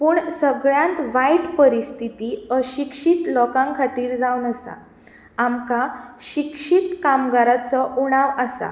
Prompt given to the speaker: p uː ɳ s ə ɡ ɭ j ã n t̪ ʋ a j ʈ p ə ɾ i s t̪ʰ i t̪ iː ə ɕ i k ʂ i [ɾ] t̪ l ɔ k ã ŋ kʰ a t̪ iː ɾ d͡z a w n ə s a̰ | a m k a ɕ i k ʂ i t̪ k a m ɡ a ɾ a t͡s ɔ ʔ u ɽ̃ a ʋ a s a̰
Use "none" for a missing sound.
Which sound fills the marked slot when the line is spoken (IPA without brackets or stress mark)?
none